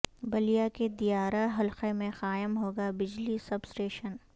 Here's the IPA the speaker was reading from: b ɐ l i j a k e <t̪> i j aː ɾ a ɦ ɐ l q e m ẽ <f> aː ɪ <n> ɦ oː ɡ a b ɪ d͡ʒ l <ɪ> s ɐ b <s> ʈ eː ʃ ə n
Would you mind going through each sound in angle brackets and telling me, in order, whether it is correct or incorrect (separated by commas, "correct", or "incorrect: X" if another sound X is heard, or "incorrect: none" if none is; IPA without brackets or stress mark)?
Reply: incorrect: d̪, incorrect: x, incorrect: m, incorrect: i, correct